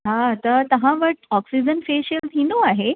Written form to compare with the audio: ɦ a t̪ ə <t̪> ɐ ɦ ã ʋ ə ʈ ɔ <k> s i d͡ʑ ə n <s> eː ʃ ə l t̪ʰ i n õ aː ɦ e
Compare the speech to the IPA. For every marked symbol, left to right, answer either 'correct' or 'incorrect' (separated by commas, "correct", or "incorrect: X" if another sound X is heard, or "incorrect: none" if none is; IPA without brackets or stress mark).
correct, correct, incorrect: f